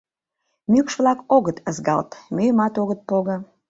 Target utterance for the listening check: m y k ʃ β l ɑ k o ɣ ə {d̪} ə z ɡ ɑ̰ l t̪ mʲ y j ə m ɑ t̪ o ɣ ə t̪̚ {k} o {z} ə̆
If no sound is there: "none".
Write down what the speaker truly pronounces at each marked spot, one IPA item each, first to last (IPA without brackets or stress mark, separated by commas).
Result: t̪, p, ɣ